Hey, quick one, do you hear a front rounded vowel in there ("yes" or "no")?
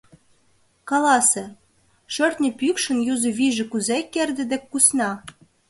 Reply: yes